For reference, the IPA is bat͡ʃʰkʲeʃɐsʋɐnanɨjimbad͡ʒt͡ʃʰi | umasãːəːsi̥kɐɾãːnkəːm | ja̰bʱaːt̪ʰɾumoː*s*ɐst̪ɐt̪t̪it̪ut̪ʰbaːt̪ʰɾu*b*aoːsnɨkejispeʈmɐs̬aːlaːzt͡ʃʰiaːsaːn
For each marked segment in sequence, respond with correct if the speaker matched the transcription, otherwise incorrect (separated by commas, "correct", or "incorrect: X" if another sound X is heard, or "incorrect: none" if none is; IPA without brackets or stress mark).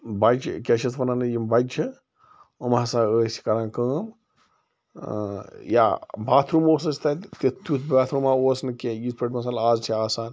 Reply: correct, incorrect: m